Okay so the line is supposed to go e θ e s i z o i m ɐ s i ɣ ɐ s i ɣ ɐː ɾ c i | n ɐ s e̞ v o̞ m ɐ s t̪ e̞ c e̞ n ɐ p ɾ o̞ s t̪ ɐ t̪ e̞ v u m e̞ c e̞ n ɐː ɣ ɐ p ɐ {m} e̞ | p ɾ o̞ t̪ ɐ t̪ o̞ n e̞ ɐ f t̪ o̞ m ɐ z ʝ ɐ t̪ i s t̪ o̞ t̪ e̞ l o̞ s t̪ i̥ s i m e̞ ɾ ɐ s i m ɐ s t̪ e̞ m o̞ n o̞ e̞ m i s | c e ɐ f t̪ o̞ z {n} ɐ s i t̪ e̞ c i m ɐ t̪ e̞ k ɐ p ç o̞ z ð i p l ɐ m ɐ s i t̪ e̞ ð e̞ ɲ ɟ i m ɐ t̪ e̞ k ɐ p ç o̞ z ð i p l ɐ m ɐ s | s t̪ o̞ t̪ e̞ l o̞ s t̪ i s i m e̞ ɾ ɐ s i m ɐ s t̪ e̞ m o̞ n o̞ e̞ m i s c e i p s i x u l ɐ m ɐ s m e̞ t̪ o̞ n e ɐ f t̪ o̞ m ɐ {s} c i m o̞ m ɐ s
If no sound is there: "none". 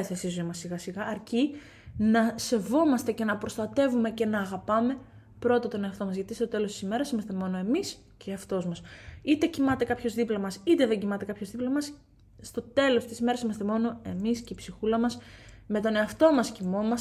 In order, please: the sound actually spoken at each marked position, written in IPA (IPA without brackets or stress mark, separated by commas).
m, m, s